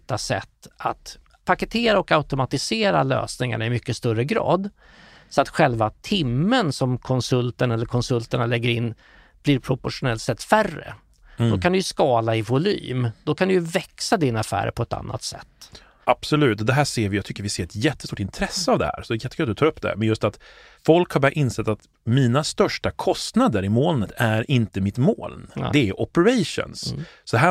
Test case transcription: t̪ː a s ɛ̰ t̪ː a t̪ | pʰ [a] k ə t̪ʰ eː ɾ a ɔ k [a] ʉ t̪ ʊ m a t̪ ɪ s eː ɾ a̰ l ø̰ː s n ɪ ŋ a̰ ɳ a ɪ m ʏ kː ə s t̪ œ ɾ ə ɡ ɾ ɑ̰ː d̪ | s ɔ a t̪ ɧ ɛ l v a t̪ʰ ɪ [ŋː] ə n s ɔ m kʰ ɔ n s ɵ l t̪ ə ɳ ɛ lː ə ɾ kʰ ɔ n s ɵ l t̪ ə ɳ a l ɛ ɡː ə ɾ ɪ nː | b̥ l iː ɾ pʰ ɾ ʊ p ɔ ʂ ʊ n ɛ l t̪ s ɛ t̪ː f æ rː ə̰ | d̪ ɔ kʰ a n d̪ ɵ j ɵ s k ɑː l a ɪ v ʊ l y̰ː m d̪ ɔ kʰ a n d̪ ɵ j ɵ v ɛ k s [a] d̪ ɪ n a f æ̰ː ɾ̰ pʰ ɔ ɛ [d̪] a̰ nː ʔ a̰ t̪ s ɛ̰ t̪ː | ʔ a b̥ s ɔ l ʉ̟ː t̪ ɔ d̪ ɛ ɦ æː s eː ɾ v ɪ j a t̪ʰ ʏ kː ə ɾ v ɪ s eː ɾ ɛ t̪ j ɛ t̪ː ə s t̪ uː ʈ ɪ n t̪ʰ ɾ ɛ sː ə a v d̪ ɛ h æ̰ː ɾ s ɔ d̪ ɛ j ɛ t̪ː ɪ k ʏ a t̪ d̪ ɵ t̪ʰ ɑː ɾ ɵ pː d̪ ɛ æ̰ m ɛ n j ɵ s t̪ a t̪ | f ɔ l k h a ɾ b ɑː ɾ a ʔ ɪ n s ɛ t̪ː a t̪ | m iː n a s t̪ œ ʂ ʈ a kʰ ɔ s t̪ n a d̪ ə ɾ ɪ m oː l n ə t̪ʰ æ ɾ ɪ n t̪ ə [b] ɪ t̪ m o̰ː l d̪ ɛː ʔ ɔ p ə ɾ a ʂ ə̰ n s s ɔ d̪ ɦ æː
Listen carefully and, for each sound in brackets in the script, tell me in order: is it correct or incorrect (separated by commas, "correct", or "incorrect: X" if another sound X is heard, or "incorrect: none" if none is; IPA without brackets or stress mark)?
correct, correct, incorrect: mː, correct, incorrect: t̪, incorrect: m